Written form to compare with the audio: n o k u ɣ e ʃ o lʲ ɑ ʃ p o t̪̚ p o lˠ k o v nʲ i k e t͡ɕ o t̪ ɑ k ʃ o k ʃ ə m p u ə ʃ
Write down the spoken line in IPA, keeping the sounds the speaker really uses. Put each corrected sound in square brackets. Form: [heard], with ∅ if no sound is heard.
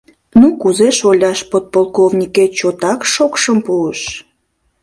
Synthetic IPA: n [u] k u [z] e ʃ o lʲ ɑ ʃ p o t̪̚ p o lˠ k o v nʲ i k e t͡ɕ o t̪ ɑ k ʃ o k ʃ ə m p u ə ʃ